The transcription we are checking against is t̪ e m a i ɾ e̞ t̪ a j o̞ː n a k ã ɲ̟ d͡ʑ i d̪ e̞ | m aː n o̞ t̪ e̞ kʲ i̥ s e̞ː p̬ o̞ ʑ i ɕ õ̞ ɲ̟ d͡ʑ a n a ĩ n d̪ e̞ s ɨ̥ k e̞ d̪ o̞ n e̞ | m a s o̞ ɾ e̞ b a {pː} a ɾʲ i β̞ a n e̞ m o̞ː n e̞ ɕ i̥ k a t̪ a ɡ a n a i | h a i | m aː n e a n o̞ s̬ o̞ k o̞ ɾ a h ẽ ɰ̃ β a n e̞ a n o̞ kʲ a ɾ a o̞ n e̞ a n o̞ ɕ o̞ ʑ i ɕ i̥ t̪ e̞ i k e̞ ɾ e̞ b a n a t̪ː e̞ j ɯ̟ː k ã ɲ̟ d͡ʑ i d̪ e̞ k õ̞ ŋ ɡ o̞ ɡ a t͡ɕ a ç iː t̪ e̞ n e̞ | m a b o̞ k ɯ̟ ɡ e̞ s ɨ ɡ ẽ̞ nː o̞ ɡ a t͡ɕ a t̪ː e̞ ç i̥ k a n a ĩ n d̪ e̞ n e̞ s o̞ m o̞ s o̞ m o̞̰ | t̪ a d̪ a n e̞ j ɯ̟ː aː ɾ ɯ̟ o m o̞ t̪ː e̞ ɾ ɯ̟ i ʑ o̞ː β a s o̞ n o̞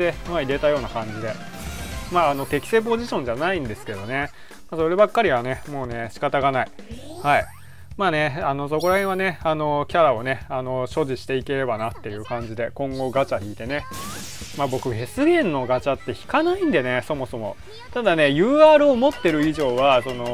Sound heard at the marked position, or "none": kː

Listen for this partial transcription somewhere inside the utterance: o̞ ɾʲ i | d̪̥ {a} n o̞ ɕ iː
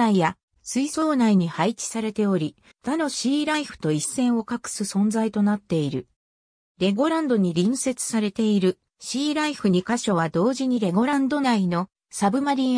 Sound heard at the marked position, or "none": a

